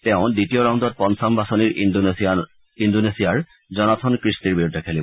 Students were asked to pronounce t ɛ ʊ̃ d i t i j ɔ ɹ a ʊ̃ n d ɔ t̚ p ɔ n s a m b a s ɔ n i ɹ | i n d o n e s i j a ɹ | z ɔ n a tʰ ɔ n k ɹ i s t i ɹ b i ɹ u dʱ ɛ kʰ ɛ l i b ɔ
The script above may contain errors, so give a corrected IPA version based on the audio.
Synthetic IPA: t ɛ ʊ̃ d i t i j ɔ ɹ a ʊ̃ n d ɔ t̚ p ɔ n s a m b a s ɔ n i ɹ | i n d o n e s i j a ɹ | z ɔ n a tʰ ɔ n k ɹ i s t i ɹ b i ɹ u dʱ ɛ kʰ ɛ l i b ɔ